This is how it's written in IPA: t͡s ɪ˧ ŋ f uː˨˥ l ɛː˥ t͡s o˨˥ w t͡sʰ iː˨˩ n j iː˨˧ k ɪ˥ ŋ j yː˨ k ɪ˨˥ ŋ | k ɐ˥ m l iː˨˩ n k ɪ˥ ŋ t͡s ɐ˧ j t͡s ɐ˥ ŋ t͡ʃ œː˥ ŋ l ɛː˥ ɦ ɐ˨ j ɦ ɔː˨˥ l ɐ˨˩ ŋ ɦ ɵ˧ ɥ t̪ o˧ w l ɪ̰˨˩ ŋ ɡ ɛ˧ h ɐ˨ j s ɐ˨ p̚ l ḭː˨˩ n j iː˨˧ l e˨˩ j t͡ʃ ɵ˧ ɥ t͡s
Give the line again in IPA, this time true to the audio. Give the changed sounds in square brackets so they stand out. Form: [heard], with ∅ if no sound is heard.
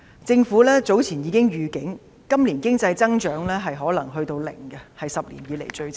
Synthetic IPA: t͡s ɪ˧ ŋ f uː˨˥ l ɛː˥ t͡s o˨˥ w t͡sʰ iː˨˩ n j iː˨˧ k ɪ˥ ŋ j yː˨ k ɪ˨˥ ŋ | k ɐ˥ m l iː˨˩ n k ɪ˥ ŋ t͡s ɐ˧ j t͡s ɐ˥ ŋ t͡ʃ [œː˨˥] ŋ l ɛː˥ ɦ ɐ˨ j ɦ ɔː˨˥ l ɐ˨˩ ŋ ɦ ɵ˧ ɥ t̪ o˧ w l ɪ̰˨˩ ŋ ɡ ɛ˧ h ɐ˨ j s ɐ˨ p̚ l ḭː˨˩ n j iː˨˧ l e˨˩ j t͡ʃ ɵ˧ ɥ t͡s